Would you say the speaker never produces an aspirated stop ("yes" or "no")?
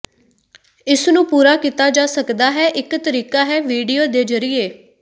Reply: yes